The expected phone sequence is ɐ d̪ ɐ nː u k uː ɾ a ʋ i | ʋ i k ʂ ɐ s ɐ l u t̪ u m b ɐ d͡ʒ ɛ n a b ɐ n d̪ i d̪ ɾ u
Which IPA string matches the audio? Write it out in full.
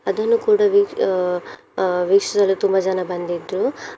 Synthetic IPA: ɐ d̪ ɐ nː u k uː ɽ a ʋ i | ʋ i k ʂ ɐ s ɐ l u t̪ u m b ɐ d͡ʒ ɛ n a b ɐ n d̪ i d̪ ɾ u